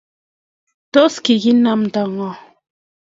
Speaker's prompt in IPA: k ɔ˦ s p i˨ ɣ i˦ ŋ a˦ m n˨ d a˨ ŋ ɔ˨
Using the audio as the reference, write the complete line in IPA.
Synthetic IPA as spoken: t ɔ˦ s k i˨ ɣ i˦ n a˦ m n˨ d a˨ ŋ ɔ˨